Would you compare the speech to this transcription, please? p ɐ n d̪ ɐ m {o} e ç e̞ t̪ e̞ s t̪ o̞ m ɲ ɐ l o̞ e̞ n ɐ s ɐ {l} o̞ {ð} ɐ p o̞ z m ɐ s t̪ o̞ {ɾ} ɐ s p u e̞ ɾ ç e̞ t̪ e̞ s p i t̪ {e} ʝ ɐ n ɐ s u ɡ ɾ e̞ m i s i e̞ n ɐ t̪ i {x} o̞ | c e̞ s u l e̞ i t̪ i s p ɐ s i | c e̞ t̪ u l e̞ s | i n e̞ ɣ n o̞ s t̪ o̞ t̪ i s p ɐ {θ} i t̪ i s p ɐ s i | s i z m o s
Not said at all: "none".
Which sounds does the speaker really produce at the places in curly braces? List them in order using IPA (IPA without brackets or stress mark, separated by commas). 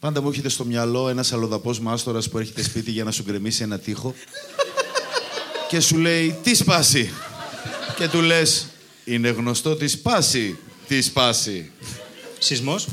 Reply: u, l, ð, ɾ, i, x, s